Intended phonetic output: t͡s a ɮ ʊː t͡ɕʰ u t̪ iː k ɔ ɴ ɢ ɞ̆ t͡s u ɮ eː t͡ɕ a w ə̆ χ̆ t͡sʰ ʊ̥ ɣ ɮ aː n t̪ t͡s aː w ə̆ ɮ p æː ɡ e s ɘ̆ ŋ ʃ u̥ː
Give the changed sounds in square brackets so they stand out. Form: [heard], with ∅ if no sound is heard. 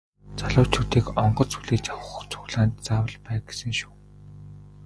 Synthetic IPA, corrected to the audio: t͡s a ɮ ʊː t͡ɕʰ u t̪ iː k ɔ ɴ ɢ ɞ̆ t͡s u ɮ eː t͡ɕ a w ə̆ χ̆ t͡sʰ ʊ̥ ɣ ɮ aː n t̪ t͡s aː w ə̆ ɮ p æː ɡ e s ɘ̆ ŋ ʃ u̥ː